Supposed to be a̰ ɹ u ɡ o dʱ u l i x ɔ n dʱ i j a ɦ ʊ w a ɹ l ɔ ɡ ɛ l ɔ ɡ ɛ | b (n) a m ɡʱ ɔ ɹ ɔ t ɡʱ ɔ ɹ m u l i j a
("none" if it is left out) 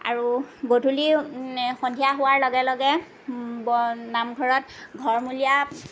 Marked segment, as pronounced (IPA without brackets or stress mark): n